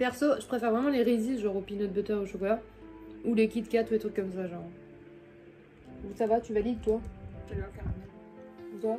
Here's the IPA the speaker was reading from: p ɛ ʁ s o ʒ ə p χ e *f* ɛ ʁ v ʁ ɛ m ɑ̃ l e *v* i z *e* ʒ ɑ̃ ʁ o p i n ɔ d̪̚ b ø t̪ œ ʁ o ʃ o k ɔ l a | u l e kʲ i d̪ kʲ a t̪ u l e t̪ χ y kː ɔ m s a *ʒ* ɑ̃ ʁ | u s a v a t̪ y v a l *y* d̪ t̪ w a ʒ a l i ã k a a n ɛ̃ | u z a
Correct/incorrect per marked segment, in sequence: correct, incorrect: ʁ, incorrect: i, correct, incorrect: i

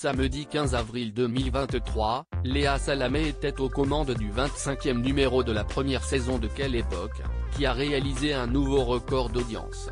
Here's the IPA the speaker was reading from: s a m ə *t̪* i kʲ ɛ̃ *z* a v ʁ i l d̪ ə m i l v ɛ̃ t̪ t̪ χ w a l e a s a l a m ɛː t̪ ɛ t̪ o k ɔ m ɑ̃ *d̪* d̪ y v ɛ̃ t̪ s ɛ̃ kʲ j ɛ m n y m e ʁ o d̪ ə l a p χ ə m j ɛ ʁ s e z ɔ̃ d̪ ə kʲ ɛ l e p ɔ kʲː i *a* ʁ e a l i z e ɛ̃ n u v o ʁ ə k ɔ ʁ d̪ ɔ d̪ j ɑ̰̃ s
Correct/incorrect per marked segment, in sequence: incorrect: d̪, correct, correct, correct

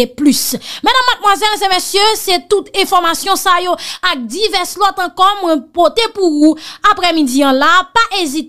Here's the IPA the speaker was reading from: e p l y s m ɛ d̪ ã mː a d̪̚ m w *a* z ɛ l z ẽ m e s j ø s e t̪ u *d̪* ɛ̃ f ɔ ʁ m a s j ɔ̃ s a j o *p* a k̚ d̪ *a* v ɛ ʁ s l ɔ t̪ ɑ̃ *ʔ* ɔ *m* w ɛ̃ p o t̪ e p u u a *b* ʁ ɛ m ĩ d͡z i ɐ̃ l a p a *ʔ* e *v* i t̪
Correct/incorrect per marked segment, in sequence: correct, incorrect: t̪, incorrect: none, incorrect: i, incorrect: k, correct, incorrect: p, correct, incorrect: z

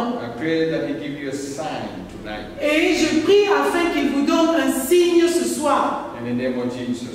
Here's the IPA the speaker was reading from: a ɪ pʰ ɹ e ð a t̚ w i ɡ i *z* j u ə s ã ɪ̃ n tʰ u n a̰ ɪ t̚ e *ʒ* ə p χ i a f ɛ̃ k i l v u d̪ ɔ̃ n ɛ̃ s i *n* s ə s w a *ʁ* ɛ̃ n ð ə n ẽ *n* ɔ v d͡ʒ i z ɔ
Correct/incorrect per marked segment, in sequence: incorrect: v, correct, incorrect: ɲ, correct, incorrect: m

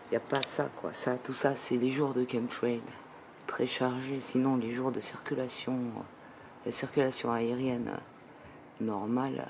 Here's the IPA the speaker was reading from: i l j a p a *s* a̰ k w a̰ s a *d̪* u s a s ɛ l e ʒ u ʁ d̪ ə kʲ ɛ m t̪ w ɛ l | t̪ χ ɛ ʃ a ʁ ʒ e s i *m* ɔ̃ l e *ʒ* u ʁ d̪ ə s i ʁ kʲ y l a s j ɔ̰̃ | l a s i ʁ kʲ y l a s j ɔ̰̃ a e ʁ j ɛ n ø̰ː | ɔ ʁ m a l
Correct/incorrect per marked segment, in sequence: correct, incorrect: t̪, incorrect: n, correct

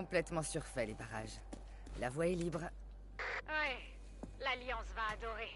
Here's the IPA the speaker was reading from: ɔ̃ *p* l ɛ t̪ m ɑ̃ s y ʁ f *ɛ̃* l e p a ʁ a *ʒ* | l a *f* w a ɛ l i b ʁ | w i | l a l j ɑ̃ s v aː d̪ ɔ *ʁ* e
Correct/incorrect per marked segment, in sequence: correct, incorrect: ɛ, correct, incorrect: v, correct

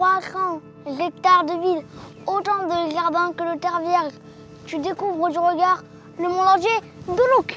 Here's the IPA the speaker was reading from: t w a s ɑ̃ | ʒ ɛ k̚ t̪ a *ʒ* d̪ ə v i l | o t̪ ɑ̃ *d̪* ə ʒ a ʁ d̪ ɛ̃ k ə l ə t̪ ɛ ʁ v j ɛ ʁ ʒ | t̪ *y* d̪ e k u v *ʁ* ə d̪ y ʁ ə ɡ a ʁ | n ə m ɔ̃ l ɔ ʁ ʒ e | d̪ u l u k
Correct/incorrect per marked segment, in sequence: incorrect: ʁ, correct, correct, correct

